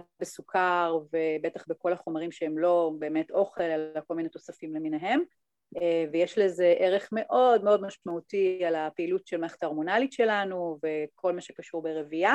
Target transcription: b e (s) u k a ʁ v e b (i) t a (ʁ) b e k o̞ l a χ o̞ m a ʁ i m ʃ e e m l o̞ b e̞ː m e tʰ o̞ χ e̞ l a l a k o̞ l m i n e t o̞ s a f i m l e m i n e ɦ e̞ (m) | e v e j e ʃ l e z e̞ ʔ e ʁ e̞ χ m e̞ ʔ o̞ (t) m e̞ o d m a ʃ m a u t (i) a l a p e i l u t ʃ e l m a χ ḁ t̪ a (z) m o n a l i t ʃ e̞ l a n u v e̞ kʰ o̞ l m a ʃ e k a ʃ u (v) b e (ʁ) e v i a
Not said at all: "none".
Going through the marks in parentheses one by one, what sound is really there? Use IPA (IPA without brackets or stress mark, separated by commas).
s, e, χ, m, d, i, ʁ, ʁ, ʁ